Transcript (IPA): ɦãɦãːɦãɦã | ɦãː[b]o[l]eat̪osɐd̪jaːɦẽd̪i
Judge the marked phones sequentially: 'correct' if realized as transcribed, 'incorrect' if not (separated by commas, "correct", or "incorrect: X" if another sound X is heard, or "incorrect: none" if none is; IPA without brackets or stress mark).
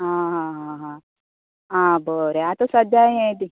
correct, incorrect: ɾ